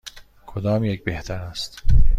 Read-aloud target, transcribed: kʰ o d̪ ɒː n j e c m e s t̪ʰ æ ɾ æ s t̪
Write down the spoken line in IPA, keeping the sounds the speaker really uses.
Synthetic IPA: kʰ o d̪ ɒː m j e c b e h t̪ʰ æ ɾ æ s t̪